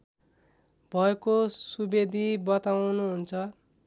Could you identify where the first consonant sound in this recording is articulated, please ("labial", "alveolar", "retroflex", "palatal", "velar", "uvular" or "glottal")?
labial